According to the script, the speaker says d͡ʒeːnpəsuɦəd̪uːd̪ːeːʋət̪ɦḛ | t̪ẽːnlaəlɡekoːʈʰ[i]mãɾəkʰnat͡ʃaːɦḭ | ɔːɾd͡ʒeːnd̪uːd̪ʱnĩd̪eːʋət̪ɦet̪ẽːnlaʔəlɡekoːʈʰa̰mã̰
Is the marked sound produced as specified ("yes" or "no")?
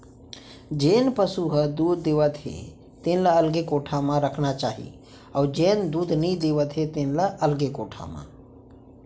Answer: no